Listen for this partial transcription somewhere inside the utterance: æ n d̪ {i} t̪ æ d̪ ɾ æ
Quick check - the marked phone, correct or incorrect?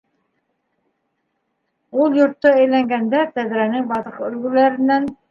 incorrect